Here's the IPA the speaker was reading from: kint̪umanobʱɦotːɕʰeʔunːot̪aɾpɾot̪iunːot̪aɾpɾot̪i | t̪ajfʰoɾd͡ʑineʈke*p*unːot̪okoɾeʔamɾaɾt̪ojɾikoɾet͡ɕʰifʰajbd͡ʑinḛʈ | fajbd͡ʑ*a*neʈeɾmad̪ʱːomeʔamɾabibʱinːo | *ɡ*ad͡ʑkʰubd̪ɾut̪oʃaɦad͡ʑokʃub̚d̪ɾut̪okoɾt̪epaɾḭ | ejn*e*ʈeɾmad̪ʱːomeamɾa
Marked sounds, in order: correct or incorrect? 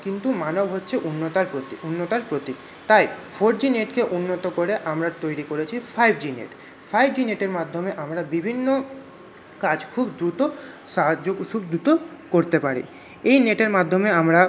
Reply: incorrect, incorrect, incorrect, correct

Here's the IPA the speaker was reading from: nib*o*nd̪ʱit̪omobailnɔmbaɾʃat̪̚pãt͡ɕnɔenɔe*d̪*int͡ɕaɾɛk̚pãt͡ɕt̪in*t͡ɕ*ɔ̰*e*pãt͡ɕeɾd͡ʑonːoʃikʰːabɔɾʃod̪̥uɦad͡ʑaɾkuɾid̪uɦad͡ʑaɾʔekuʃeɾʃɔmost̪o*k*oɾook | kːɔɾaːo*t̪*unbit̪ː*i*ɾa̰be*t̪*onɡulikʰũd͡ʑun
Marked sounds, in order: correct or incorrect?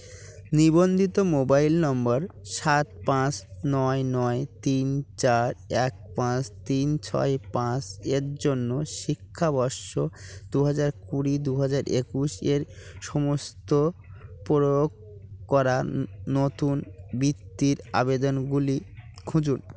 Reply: correct, incorrect, incorrect, correct, incorrect, correct, correct, incorrect

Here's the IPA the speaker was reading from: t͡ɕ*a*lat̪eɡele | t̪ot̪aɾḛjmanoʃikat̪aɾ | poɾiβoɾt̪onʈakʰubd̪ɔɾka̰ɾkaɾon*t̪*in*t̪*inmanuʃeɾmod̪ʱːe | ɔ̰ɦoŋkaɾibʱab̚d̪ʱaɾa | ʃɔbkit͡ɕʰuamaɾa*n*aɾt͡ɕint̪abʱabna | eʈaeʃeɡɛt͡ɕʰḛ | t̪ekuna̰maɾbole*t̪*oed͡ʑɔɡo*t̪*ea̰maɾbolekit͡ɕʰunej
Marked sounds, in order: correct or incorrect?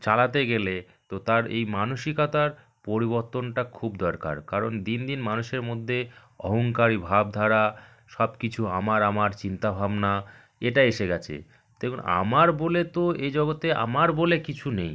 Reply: correct, incorrect, incorrect, incorrect, correct, correct

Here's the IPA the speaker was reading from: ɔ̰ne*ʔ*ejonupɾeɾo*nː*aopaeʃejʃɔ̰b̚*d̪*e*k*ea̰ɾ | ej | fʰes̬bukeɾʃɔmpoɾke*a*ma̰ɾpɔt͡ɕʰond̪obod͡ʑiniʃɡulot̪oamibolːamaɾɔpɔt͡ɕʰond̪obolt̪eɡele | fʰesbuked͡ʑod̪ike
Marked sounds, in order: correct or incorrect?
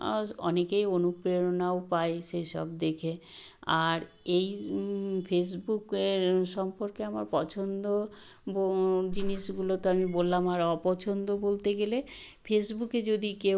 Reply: incorrect, incorrect, correct, incorrect, correct

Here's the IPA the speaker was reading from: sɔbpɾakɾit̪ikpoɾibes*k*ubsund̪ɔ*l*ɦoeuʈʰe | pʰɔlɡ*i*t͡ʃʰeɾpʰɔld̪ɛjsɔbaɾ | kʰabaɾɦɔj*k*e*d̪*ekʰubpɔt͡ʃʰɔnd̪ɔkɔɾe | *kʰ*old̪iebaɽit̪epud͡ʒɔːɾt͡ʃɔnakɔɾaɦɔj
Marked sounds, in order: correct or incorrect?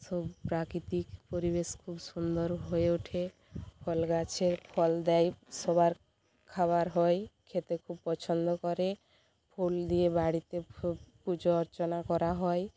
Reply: incorrect, incorrect, incorrect, incorrect, incorrect, incorrect

